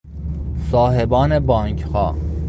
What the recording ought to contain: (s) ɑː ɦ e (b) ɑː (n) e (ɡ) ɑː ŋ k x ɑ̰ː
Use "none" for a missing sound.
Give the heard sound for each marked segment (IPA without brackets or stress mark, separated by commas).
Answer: s, b, n, b